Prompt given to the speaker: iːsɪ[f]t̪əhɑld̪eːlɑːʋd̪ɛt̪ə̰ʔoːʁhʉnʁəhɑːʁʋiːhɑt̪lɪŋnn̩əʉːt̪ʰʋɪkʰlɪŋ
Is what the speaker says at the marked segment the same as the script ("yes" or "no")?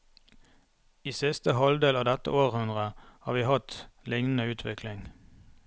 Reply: no